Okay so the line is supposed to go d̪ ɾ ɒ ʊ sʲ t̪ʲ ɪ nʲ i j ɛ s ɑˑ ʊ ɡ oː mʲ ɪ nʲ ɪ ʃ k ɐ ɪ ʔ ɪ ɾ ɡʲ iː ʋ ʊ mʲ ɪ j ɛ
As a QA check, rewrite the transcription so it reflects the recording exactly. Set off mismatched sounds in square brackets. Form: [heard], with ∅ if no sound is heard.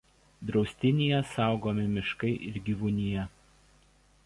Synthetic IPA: d̪ ɾ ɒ ʊ sʲ t̪ʲ ɪ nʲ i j ɛ s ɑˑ ʊ ɡ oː mʲ ɪ [mʲ] ɪ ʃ k ɐ ɪ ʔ ɪ ɾ ɡʲ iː ʋ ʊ [nʲ] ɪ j ɛ